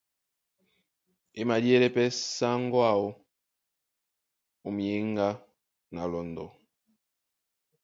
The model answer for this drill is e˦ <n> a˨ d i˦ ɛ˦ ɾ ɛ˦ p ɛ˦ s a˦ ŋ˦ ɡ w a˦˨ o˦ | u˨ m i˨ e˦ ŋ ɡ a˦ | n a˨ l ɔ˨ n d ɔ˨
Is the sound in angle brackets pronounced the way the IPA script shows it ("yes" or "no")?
no